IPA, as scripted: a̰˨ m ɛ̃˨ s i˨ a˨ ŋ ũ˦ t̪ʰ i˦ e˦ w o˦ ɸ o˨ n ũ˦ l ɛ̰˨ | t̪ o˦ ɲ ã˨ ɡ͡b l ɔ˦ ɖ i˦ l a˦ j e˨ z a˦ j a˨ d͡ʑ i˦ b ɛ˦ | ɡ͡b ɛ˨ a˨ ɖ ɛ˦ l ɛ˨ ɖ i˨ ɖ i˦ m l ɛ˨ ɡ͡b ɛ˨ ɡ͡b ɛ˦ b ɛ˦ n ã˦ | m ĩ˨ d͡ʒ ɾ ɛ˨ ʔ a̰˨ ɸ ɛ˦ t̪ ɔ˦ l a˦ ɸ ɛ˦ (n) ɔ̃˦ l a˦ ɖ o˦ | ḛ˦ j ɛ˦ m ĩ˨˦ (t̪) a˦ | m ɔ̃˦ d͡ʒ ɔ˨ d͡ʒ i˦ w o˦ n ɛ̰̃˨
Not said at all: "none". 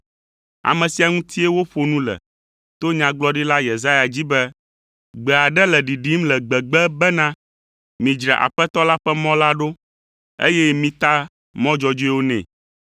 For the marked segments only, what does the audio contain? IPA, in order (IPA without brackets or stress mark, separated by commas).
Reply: m, t̪